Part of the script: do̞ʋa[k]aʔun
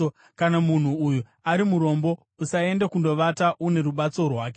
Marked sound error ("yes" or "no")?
yes